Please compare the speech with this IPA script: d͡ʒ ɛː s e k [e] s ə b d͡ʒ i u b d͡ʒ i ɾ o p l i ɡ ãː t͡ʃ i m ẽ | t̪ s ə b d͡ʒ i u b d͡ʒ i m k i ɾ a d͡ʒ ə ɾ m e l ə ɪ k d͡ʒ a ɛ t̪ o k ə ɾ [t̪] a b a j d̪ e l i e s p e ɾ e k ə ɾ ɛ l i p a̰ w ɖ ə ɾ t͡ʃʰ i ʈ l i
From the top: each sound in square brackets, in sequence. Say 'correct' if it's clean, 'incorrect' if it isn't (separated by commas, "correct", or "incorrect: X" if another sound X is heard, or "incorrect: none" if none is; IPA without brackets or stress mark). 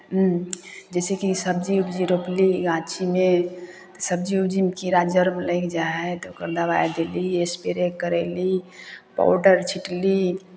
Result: incorrect: i, incorrect: d̪